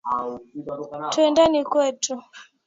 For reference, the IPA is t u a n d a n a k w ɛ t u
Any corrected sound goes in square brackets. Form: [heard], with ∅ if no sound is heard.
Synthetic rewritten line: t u [ɛ] n d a n [i] k w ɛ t u